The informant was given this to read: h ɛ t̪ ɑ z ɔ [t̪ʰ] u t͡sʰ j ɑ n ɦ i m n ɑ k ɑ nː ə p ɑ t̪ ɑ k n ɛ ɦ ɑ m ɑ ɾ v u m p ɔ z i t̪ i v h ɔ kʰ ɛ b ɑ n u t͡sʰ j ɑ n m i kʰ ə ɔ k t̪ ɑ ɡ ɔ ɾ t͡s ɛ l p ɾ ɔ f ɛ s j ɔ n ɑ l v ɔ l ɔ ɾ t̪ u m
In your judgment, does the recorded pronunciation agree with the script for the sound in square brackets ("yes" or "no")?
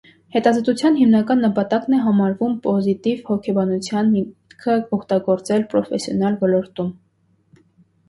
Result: no